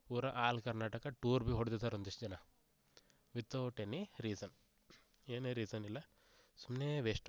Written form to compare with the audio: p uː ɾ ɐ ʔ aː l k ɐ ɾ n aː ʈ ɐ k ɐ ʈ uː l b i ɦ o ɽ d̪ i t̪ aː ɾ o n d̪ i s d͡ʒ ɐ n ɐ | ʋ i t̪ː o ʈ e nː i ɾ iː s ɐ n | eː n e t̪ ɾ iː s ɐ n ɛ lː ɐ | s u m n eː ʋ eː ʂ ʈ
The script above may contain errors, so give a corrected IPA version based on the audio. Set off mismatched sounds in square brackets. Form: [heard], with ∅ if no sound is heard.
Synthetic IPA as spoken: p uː ɾ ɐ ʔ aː l k ɐ ɾ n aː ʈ ɐ k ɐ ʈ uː [ɾ] b i ɦ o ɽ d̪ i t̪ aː ɾ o n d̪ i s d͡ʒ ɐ n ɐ | ʋ i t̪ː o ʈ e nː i ɾ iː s ɐ n | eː n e [∅] ɾ iː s ɐ n [i] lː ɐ | s u m n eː ʋ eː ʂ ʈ